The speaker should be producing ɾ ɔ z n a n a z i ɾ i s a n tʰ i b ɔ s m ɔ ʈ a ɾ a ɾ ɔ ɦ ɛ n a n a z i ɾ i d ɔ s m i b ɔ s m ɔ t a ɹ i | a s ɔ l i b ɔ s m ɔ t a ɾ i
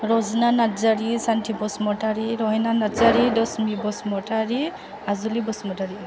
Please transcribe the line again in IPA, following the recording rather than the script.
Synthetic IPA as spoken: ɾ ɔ z n a n a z a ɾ i s a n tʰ i b ɔ s m ɔ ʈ a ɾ i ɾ ɔ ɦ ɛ n a n a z a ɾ i d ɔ s m i b ɔ s m ɔ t a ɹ i | a z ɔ l i b ɔ s m ɔ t a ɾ i